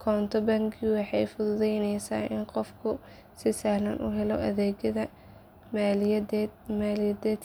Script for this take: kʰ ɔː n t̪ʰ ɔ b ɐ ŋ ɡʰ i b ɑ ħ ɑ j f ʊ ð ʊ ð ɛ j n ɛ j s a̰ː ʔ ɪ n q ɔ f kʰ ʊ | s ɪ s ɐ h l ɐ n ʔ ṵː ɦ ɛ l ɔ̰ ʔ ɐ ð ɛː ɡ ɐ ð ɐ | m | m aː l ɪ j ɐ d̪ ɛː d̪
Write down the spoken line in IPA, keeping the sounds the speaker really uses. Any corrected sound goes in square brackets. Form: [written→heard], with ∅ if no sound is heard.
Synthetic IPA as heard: kʰ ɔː n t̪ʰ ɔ b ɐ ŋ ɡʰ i [b→w] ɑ ħ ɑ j f ʊ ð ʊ ð ɛ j n ɛ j s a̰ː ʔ ɪ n q ɔ f kʰ ʊ | s ɪ s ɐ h l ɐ n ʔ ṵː ɦ ɛ l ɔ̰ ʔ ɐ ð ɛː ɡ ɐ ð ɐ | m | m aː l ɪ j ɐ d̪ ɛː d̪